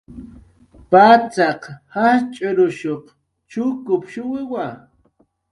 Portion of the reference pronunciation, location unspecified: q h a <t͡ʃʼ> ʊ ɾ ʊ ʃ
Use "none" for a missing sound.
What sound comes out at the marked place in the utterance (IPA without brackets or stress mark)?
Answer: t͡ʃʼ